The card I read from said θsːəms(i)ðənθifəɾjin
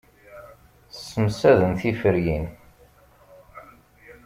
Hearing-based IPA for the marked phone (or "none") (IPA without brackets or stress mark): æ